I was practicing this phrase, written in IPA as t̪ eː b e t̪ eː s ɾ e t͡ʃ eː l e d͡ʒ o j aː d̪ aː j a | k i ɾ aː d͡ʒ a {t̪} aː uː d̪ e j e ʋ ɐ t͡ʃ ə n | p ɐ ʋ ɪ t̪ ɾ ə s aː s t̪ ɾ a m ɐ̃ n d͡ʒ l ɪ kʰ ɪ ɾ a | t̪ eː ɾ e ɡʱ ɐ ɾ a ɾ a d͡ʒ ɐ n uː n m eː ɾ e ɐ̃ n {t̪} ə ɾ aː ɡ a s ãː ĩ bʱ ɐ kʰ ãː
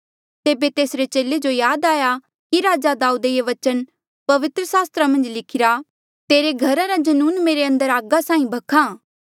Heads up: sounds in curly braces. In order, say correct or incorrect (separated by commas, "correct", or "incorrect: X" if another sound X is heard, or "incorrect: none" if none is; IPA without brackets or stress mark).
incorrect: d̪, incorrect: d̪